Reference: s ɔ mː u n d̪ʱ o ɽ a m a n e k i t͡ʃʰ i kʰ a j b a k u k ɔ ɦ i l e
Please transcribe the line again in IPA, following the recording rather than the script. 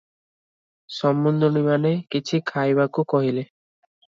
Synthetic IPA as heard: s ɔ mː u n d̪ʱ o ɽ i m a n e k i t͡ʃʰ i kʰ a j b a k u k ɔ ɦ i l e